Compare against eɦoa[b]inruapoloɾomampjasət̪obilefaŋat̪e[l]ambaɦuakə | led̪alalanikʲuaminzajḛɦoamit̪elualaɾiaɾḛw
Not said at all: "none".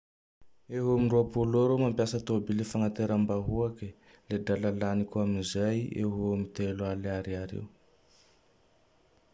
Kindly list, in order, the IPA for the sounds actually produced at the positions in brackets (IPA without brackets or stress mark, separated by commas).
m, ɾ